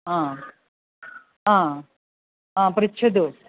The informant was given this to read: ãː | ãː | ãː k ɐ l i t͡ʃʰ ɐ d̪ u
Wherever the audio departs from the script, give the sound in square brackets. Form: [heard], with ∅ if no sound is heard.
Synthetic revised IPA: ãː | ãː | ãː [p] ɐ [ɾ] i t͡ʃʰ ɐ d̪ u